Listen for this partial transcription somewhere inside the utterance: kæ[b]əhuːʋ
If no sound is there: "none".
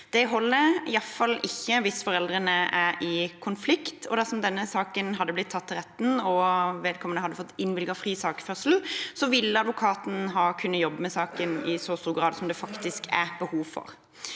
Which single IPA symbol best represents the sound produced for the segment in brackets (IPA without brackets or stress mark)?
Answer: b